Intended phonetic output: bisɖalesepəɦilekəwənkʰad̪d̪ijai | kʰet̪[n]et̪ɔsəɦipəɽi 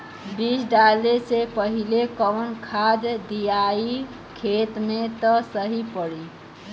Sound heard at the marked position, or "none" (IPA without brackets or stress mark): m